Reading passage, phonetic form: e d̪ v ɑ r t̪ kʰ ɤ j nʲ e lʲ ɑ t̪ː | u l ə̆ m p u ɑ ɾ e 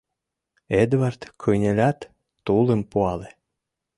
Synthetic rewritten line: e d̪ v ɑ r t̪ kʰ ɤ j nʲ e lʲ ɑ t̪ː | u l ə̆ m p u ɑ l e